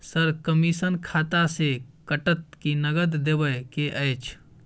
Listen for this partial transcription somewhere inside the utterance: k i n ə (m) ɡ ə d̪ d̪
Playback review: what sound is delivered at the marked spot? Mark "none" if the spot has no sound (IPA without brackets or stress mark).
none